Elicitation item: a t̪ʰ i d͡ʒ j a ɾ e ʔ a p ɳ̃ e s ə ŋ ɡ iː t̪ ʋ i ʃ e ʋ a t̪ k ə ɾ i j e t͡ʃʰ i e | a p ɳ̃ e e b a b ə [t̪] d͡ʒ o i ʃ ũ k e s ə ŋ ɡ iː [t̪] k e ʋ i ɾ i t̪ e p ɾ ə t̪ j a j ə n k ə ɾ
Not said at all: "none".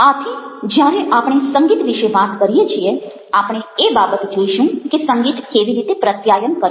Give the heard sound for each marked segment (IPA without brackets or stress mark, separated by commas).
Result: t̪, t̪